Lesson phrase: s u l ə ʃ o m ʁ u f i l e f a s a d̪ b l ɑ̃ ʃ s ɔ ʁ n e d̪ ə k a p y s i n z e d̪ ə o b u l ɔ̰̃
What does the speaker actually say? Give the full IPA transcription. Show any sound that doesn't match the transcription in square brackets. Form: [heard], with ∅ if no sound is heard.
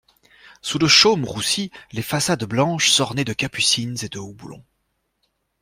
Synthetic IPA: s u l ə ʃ o m ʁ u [s] i l e f a s a d̪ b l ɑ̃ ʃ s ɔ ʁ n e d̪ ə k a p y s i n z e d̪ ə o b u l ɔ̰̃